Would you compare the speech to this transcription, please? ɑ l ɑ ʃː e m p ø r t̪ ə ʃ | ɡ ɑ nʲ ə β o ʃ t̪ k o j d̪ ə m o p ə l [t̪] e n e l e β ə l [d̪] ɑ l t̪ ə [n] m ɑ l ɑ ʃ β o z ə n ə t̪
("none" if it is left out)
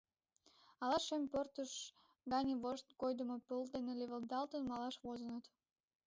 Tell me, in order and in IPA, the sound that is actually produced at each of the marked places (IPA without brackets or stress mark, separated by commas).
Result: d̪, d̪, n